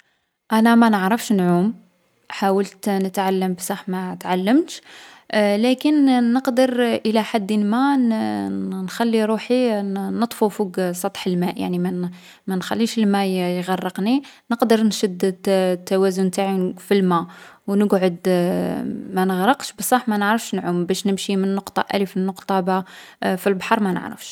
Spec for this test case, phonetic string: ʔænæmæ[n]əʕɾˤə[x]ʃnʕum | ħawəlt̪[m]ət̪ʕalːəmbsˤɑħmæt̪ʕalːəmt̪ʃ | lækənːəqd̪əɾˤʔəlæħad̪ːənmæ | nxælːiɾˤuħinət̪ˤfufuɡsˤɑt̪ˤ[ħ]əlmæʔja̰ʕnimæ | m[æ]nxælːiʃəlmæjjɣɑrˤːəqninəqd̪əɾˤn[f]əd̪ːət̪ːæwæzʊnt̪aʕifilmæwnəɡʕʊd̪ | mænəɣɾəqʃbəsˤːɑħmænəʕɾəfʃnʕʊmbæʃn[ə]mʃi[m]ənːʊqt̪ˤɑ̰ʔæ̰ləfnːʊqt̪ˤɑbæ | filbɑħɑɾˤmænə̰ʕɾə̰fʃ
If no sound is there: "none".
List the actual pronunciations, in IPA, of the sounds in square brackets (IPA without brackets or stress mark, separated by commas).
n, f, n, ħ, æ, ʃ, ə, m